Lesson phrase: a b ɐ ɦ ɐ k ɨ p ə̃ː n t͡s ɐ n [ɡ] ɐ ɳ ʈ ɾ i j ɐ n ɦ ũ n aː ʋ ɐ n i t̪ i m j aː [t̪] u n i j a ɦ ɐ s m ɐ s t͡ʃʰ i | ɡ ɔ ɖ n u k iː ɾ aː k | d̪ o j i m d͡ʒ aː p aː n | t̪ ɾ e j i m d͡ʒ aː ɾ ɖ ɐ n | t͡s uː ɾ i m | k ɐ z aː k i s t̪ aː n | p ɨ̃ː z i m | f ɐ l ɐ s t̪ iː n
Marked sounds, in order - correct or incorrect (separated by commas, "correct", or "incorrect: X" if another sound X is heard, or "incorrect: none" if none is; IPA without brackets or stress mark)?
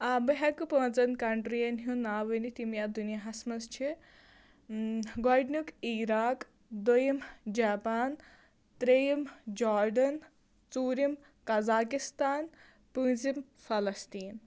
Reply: incorrect: k, incorrect: d̪